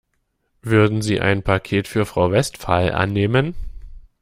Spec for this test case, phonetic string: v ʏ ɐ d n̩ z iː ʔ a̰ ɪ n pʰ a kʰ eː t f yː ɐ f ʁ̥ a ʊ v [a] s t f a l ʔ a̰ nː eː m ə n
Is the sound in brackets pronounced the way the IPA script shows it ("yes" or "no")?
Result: no